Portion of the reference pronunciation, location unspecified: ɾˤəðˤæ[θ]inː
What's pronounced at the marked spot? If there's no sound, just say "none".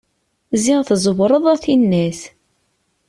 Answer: θ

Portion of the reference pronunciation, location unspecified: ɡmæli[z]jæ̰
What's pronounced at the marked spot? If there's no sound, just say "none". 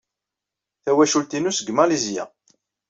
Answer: z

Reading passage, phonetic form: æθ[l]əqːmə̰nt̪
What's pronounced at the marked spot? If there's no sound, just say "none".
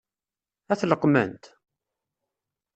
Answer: l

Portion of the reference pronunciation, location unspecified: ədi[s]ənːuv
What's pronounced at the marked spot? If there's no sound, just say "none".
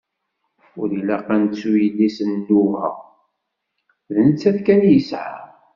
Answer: s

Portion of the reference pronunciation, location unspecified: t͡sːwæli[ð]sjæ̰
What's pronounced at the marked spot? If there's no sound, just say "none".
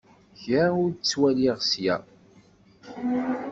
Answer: ʁ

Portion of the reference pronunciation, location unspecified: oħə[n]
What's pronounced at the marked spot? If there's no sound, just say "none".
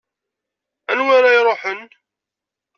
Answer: n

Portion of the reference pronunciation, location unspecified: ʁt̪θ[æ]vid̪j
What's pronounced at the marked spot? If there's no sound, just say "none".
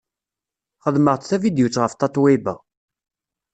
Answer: æ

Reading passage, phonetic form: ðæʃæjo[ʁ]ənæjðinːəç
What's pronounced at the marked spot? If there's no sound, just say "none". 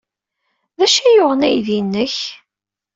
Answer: ʁ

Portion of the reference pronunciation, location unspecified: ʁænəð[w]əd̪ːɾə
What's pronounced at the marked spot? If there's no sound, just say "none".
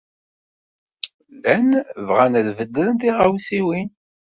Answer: v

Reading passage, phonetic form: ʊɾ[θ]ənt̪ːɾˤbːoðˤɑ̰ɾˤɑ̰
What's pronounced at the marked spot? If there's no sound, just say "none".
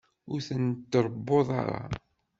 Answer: θ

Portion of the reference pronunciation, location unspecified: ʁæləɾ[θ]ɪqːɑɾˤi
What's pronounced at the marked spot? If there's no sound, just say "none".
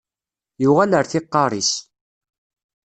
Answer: θ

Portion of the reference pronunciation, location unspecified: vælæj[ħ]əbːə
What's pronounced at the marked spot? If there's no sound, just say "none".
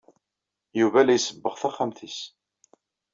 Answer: s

